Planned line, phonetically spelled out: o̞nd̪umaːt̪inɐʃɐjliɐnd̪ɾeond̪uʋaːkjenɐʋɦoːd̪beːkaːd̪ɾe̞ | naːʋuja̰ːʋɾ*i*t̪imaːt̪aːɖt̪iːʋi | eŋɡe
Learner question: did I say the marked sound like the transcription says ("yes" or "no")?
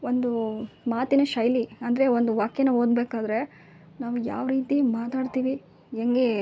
no